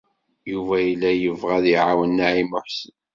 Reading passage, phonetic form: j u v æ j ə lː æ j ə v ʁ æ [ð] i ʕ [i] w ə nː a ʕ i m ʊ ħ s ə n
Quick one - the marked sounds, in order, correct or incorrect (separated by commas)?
correct, incorrect